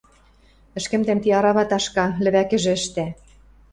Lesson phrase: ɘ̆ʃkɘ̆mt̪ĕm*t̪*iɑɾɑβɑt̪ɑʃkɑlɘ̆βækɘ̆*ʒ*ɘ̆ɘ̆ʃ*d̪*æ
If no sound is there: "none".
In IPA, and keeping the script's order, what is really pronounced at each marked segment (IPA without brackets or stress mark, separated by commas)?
t̪, ʒ, t̪